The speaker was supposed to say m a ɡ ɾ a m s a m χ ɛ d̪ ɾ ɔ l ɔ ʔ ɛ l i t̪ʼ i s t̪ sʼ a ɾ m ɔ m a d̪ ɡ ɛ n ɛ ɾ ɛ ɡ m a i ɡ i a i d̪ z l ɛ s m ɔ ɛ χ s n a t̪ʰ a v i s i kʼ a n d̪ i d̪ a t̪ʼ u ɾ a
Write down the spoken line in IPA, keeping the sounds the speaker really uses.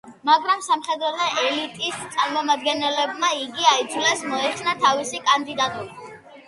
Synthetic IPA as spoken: m a ɡ ɾ a m s a m χ ɛ d̪ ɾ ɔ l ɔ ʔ ɛ l i t̪ʼ i s t̪ sʼ a ɾ m ɔ m a d̪ ɡ ɛ n ɛ l ɛ b m a i ɡ i a i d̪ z l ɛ s m ɔ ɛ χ s n a t̪ʰ a v i s i kʼ a n d̪ i d̪ a t̪ʼ u ɾ a